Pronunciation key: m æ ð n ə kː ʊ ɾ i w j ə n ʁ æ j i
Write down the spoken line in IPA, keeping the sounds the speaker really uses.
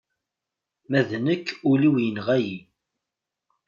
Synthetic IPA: m æ ð n ə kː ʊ l i w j ə n ʁ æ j i